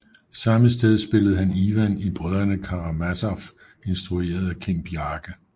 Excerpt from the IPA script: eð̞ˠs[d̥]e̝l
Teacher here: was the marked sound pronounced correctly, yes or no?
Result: no